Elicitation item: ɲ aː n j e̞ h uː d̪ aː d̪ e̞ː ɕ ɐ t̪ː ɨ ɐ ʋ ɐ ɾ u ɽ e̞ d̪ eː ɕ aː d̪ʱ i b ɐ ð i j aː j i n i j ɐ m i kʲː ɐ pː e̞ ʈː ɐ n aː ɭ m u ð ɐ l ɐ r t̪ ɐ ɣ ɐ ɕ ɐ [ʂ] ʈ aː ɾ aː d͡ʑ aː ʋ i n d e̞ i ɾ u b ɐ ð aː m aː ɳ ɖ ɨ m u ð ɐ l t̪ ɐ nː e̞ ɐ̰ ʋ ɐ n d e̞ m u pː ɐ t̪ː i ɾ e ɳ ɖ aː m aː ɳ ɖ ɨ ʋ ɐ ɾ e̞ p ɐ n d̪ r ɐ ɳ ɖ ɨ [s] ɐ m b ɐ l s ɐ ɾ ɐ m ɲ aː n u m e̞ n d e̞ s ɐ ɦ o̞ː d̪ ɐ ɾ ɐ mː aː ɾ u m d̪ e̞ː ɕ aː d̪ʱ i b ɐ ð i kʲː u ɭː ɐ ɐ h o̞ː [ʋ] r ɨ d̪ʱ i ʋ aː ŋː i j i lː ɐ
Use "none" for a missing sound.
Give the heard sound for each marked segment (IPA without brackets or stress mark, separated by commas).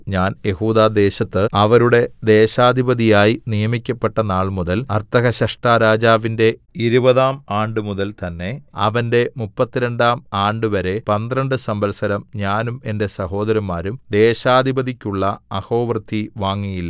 ʂ, s, ʋ